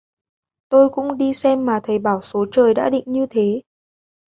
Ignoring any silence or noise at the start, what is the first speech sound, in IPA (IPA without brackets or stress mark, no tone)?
t̪